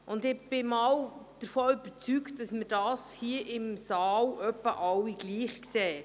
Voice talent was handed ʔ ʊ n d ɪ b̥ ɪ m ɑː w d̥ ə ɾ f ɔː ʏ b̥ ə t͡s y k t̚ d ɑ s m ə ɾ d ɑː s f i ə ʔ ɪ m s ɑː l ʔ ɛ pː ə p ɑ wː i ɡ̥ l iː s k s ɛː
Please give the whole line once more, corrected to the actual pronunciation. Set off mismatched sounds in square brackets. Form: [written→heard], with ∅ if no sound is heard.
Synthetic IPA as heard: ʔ ʊ n d ɪ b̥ ɪ m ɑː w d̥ ə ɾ f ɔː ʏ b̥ ə t͡s y k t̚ d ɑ s m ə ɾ d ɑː s [f→h] i ə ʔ ɪ m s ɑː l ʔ [ɛ→œ] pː ə [p→ʔ] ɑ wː i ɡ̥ l iː [s→χ] k s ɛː